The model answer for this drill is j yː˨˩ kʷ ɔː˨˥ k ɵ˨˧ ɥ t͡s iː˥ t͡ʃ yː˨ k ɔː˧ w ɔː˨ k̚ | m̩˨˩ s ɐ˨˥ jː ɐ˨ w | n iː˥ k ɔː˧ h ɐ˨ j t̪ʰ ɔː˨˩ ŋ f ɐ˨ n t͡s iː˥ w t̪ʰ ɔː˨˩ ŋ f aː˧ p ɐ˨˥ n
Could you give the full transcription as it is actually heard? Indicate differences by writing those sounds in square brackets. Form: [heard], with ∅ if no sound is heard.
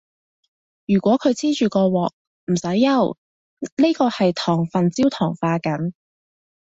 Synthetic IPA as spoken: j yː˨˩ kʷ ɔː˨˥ [kʰ] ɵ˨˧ ɥ t͡s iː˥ t͡ʃ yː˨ k ɔː˧ w ɔː˨ k̚ | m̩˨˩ s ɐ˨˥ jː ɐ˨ w | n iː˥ k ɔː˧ h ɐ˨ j t̪ʰ ɔː˨˩ ŋ f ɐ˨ n t͡s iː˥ w t̪ʰ ɔː˨˩ ŋ f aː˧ [k] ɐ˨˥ n

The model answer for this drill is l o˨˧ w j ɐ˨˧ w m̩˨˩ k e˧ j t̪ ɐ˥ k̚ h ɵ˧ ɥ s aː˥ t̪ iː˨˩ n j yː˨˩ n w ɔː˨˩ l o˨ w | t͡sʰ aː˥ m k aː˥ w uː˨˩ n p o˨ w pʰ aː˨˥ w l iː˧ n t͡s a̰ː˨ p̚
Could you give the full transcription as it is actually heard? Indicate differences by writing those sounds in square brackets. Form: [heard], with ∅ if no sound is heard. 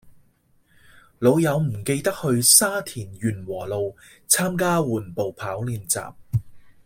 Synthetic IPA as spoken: l o˨˧ w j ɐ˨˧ w m̩˨˩ k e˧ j t̪ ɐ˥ k̚ h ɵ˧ ɥ s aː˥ [t̪ʰ] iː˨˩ n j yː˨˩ n w ɔː˨˩ l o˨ w | t͡sʰ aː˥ m k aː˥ w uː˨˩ n p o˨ w pʰ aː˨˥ w l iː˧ n t͡s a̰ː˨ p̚

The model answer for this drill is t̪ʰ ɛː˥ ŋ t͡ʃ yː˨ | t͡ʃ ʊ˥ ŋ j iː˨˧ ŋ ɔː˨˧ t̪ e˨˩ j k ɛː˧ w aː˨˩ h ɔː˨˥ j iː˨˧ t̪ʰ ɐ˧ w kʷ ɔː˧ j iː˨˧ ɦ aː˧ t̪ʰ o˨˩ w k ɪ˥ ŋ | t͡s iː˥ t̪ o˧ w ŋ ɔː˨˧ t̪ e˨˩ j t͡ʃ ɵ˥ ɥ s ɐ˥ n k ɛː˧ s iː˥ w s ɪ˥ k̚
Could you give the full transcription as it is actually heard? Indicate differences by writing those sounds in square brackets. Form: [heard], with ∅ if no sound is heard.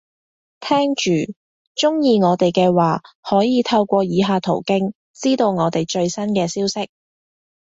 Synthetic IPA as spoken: t̪ʰ ɛː˥ ŋ t͡ʃ yː˨ | t͡ʃ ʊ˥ ŋ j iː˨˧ ŋ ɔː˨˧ t̪ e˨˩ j k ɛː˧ w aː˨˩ h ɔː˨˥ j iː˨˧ t̪ʰ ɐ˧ w kʷ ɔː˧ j iː˨˧ ɦ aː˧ t̪ʰ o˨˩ w k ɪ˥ ŋ | t͡s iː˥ t̪ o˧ w ŋ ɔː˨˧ t̪ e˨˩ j t͡ʃ [ɵ˧] ɥ s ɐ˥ n k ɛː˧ s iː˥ w s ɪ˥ k̚

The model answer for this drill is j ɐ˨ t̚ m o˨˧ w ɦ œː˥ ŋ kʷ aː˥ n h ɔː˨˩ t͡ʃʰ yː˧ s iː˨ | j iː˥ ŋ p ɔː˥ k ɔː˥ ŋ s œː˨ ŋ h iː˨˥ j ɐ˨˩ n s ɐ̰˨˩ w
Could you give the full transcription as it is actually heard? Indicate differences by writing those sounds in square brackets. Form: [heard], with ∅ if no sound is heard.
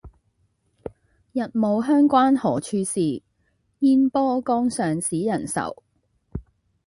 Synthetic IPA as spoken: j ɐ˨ t̚ m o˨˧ w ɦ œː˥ ŋ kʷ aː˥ n h ɔː˨˩ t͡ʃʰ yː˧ s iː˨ | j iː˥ [n] p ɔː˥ k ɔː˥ ŋ s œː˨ ŋ [s] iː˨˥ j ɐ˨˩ n s ɐ̰˨˩ w

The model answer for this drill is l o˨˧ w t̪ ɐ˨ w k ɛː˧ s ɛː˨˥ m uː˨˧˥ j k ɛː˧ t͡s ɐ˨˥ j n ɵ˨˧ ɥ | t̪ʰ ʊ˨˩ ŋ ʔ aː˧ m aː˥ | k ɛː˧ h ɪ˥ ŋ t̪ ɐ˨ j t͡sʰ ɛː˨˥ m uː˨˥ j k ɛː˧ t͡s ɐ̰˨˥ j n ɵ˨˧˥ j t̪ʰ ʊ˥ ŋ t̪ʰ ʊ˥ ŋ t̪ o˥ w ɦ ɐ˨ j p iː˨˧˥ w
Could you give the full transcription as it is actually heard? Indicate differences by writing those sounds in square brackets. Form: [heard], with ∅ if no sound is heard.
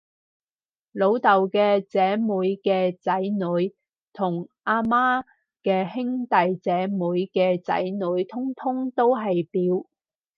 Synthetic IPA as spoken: l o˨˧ w t̪ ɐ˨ w k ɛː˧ [t͡s] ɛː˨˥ m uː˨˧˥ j k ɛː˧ t͡s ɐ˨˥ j n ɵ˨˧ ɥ | t̪ʰ ʊ˨˩ ŋ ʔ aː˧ m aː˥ | k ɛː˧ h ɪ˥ ŋ t̪ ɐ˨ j [t͡s] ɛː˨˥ m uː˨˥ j k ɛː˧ t͡s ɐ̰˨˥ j n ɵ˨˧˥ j t̪ʰ ʊ˥ ŋ t̪ʰ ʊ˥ ŋ t̪ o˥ w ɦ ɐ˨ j p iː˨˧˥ w

